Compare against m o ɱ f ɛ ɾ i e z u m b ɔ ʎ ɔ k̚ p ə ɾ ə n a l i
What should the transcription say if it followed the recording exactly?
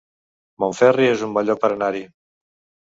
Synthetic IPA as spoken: m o ɱ f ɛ r i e z u m b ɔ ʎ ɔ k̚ p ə ɾ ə n a ɾ i